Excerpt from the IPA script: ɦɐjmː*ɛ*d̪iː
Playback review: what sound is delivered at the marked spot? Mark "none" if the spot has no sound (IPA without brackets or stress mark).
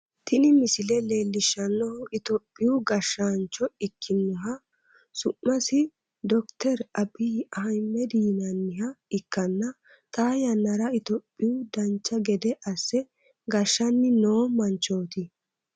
ɛ